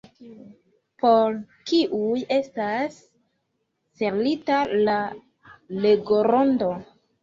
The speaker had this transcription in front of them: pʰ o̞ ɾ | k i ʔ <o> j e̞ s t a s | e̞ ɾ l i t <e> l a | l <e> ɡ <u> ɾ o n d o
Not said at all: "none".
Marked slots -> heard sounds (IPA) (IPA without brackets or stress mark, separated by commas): u, a, e, o